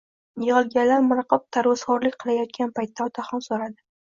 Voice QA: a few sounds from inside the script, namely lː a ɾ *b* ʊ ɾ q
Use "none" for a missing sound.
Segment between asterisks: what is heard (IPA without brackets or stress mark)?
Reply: m